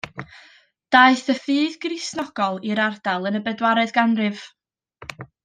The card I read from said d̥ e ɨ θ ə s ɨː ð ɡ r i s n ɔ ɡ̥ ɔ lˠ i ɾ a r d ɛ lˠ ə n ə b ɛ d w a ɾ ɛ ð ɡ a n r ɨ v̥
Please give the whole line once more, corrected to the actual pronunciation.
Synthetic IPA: d̥ a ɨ θ ə f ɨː ð ɡ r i s n ɔ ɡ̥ ɔ lˠ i ɾ a r d a lˠ ə n ə b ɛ d w a ɾ ɛ ð ɡ a n r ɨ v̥